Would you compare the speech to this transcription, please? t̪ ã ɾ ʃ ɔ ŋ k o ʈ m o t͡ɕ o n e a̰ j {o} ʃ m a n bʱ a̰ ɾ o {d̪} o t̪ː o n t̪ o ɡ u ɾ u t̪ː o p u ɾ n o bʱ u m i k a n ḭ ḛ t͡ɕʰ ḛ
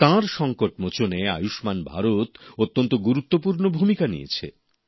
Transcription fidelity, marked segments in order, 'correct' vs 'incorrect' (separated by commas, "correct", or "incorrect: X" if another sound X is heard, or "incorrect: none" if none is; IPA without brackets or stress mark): incorrect: u, incorrect: t̪